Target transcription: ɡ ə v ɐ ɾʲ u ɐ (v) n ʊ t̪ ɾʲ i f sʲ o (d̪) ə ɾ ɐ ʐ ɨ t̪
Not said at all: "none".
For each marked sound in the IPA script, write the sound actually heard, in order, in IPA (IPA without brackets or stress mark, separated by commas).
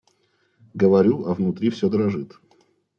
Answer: v, d̪